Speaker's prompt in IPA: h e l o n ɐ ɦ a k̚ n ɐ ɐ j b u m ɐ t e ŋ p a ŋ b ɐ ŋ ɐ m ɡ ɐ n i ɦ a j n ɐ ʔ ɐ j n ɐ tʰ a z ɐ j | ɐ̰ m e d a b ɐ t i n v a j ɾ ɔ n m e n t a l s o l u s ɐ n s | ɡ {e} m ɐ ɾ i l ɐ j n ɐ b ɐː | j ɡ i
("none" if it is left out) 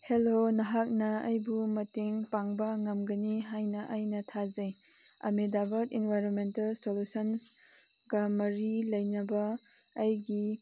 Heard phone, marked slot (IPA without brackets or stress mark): a